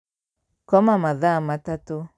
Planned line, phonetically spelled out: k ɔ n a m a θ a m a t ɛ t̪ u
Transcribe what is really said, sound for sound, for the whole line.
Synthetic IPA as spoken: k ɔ m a m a ð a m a t a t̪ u